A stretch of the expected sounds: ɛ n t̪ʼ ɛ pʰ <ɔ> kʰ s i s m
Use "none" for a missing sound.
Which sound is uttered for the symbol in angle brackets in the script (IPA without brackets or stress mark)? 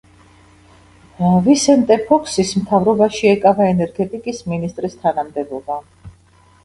ɔ